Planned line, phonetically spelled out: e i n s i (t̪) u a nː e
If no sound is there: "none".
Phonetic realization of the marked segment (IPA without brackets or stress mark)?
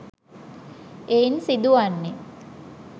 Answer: d̪